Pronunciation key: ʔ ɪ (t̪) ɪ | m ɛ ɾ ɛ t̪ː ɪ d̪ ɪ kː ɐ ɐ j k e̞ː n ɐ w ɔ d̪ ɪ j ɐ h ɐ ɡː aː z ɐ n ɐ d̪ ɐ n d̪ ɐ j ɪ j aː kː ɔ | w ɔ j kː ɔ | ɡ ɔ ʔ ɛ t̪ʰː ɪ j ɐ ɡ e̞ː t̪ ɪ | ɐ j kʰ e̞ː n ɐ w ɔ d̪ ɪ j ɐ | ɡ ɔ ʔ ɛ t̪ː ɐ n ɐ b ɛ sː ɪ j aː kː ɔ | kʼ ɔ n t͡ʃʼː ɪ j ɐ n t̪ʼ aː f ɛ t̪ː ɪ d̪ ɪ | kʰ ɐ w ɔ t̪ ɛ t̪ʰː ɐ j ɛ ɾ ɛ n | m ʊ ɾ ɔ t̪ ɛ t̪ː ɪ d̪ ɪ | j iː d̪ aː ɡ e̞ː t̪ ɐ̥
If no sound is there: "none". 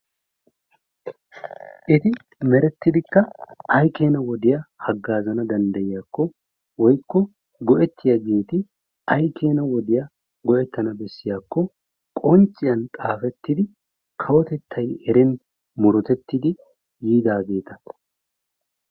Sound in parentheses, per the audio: t̪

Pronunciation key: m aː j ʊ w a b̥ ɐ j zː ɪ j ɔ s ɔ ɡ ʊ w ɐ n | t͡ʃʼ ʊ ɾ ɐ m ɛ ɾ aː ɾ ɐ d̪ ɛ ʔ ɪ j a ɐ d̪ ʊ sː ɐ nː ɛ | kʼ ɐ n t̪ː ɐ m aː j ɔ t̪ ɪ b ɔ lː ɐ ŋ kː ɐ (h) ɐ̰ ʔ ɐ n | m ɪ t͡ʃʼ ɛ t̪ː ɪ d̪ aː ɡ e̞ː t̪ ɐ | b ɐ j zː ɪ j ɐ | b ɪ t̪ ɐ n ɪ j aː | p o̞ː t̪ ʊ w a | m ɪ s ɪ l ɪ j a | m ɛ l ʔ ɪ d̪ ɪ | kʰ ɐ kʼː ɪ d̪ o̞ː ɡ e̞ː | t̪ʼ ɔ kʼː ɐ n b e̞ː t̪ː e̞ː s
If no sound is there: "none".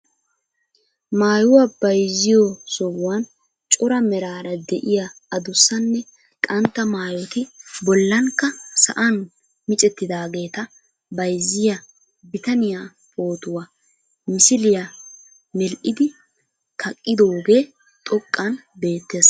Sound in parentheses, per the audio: s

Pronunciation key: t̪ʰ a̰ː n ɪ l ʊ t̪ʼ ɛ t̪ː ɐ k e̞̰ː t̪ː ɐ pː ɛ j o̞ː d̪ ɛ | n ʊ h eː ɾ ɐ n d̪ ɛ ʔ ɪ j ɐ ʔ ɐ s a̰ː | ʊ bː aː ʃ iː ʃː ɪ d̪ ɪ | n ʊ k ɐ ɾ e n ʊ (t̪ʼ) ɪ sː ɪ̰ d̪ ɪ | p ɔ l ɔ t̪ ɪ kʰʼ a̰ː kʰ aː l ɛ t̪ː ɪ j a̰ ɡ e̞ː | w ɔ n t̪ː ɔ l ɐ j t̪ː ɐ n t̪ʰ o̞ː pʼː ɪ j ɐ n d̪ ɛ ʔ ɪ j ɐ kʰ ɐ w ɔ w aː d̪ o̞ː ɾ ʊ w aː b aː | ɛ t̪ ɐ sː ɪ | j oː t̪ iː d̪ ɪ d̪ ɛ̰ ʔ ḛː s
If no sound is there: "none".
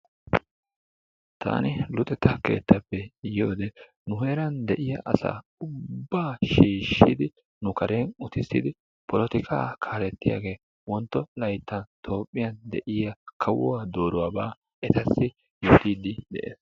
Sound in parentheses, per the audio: t̪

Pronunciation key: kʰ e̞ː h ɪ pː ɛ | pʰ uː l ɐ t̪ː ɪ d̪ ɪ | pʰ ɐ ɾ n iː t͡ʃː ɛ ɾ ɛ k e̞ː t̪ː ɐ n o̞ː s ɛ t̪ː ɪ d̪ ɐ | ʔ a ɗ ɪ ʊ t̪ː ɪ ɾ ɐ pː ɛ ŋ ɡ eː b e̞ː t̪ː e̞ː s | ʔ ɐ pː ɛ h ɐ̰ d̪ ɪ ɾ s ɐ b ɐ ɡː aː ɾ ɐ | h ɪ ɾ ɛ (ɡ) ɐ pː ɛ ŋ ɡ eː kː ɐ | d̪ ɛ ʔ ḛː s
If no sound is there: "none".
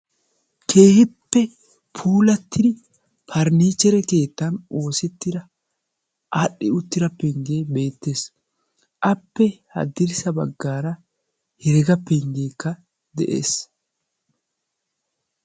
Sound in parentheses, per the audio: ɡ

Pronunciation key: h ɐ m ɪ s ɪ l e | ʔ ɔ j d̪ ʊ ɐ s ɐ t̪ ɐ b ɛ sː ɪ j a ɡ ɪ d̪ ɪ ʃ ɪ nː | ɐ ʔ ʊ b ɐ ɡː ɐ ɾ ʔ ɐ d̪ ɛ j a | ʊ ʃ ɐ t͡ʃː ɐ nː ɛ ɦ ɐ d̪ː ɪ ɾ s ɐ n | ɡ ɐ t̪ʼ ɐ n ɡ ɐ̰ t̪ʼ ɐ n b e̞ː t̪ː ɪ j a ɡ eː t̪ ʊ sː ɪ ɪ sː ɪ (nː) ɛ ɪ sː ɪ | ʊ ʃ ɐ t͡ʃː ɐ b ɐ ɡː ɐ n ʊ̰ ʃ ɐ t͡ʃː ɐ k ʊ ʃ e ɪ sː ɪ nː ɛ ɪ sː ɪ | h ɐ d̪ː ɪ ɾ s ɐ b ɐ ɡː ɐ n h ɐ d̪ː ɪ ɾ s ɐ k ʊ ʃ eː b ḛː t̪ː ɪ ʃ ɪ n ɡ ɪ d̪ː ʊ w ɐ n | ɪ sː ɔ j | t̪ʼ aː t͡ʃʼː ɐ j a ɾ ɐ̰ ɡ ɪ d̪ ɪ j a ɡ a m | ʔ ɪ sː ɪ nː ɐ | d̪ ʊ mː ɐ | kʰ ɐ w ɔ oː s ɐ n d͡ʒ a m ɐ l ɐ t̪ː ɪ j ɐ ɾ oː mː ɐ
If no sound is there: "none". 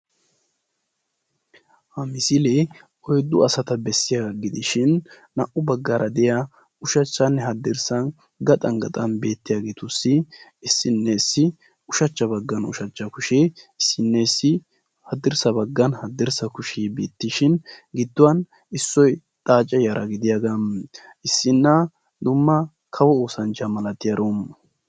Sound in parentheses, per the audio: nː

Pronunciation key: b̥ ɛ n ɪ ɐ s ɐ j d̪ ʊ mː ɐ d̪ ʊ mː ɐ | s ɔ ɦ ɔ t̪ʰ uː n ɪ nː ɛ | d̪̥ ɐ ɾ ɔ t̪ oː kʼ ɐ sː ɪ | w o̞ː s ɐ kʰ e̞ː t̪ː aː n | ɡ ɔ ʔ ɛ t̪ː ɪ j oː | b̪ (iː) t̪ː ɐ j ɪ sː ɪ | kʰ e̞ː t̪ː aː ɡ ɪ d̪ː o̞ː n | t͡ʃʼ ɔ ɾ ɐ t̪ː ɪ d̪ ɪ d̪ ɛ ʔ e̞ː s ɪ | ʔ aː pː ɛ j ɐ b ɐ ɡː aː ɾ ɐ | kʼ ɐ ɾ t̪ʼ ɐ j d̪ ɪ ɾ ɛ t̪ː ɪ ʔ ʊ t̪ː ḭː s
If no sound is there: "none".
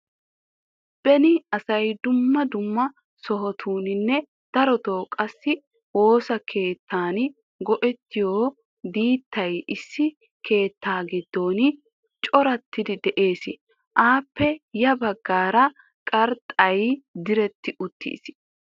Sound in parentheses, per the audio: iː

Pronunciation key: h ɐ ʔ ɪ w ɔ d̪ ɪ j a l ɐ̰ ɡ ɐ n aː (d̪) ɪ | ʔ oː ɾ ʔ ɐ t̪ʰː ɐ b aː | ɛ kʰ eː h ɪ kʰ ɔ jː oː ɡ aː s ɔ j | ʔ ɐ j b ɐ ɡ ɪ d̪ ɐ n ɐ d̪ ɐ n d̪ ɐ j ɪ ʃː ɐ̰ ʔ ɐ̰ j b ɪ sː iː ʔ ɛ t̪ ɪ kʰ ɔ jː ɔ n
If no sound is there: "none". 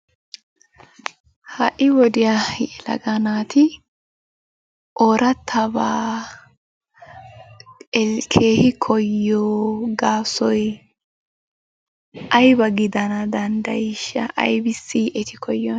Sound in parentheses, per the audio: t̪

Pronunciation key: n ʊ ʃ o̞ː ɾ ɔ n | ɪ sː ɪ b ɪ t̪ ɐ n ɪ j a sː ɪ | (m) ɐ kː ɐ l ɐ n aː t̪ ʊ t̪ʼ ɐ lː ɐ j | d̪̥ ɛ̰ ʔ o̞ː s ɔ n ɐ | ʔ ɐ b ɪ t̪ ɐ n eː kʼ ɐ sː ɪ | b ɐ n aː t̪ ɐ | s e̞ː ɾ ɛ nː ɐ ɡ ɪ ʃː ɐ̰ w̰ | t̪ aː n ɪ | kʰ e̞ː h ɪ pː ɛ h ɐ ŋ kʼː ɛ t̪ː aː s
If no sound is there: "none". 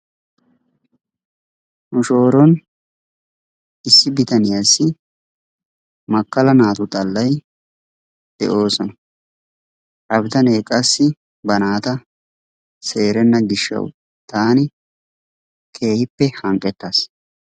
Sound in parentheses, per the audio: m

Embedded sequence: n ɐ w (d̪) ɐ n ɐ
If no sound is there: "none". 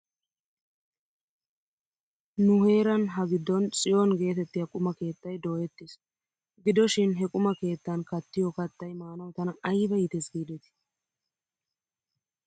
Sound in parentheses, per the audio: t̪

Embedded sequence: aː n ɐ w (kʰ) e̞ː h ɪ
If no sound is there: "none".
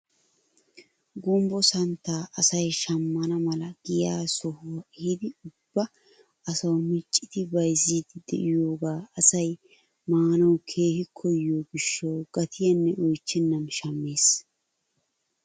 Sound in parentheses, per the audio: kʰ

